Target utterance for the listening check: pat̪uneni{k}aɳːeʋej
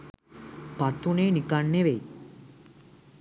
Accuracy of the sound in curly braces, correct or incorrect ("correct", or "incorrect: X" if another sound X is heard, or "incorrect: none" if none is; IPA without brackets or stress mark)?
correct